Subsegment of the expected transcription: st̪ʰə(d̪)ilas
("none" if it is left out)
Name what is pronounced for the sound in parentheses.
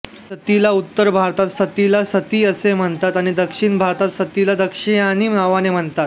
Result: t̪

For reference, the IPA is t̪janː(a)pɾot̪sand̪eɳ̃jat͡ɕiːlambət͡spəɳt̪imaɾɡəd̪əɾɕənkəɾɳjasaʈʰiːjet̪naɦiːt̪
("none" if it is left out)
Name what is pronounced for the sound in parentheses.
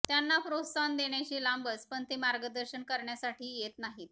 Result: a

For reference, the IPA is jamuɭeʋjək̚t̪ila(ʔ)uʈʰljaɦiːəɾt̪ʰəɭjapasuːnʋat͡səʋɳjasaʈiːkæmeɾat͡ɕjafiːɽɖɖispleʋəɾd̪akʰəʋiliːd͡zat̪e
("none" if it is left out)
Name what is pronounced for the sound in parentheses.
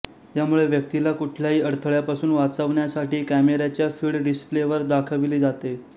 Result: k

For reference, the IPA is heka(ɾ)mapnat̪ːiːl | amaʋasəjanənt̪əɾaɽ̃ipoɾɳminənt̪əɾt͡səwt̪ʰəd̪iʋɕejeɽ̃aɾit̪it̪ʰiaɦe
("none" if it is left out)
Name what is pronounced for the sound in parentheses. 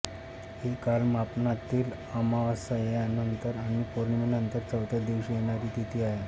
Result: l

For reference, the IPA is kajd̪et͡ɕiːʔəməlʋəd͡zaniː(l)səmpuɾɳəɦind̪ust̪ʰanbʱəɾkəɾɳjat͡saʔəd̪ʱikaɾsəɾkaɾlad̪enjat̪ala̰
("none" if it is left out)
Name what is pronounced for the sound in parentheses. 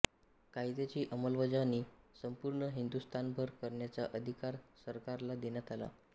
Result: none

